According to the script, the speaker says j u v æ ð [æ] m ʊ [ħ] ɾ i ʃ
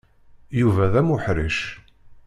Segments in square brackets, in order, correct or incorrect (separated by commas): correct, correct